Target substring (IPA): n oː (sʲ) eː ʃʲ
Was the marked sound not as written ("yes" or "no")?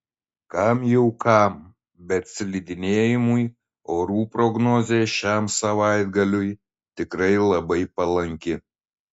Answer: yes